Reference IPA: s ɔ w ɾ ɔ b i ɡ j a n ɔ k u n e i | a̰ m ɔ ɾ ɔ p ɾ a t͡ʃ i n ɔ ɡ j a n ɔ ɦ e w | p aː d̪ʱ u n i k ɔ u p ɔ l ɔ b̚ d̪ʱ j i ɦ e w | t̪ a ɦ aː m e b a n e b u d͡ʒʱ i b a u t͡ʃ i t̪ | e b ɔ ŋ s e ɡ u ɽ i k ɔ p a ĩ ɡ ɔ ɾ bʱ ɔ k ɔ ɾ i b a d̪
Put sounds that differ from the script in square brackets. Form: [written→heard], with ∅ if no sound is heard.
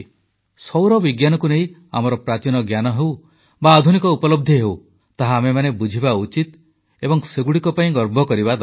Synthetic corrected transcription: s ɔ w ɾ ɔ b i ɡ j a n ɔ k u n e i | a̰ m ɔ ɾ ɔ p ɾ a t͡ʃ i n ɔ ɡ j a n ɔ ɦ e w | [p→b] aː d̪ʱ u n i k ɔ u p ɔ l ɔ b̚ d̪ʱ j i ɦ e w | t̪ a ɦ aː m e [b→m] a n e b u d͡ʒʱ i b a u t͡ʃ i t̪ | e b ɔ ŋ s e ɡ u ɽ i k ɔ p a ĩ ɡ ɔ ɾ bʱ ɔ k ɔ ɾ i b a d̪